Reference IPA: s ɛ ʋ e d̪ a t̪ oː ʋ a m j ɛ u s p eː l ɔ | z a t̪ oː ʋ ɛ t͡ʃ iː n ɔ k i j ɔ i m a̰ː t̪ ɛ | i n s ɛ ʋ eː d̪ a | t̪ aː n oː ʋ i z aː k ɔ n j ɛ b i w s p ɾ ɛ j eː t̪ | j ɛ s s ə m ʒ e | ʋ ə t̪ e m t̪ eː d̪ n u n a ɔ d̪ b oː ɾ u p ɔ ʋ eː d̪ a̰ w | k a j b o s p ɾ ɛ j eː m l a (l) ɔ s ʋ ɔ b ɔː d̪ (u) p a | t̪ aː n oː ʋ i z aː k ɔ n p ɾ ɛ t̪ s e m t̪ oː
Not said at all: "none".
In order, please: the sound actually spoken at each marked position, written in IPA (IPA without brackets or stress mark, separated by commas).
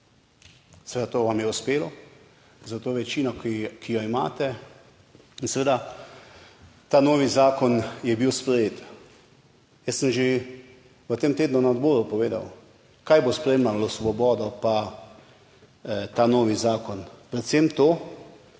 l, ɔ